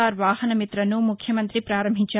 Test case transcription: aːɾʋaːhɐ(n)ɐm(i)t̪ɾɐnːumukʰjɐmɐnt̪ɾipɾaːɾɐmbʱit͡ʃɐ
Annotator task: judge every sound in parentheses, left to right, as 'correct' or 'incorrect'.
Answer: correct, correct

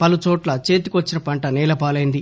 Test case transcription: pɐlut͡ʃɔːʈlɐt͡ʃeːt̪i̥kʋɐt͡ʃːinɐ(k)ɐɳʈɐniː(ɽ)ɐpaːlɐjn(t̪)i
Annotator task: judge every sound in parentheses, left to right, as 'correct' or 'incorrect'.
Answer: incorrect, incorrect, incorrect

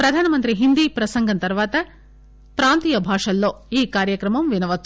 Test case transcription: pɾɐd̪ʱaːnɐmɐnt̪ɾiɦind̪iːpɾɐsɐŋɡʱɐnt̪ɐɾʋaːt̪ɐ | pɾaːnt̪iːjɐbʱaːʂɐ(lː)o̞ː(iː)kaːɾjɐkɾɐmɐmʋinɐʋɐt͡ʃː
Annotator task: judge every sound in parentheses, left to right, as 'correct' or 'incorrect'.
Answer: correct, correct

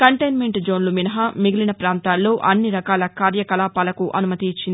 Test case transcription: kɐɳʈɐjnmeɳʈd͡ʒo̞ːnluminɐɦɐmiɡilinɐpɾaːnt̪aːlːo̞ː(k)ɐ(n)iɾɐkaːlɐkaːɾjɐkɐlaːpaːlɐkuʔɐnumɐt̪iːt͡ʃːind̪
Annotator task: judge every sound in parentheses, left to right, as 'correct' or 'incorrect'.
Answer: incorrect, incorrect

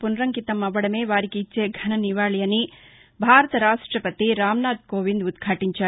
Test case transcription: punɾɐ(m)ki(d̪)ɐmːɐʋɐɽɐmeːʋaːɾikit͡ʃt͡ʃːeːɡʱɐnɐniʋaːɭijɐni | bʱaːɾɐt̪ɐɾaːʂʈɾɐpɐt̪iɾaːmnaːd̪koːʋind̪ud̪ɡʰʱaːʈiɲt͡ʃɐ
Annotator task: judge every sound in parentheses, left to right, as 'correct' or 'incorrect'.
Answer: incorrect, incorrect

